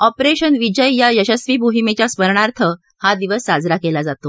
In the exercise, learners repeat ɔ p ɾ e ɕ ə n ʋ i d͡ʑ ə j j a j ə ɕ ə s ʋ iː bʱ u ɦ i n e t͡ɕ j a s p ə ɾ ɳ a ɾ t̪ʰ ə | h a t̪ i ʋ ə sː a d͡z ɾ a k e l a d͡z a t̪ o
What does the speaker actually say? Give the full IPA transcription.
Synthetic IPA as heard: ɔ p ɾ e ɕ ə n ʋ i d͡ʑ ə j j a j ə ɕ ə s ʋ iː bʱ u ɦ i m e t͡ɕ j a s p ə ɾ ɳ a ɾ t̪ʰ ə | h a d̪ i ʋ ə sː a d͡z ɾ a k e l a d͡z a t̪ o